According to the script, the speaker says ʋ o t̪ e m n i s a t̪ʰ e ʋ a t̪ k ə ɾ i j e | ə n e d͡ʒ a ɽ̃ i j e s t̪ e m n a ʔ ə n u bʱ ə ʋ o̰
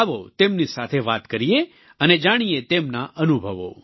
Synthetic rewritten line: ʋ o t̪ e m n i s a t̪ʰ e ʋ a t̪ k ə ɾ i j e | ə n e d͡ʒ a ɽ̃ i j e t̪ e m n a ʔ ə n u bʱ ə ʋ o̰